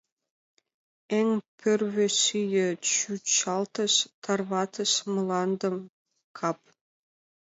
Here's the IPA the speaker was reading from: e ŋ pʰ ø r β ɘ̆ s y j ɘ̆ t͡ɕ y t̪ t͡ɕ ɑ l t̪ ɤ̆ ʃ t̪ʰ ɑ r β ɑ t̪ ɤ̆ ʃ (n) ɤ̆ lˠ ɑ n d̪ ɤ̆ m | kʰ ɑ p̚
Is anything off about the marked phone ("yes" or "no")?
yes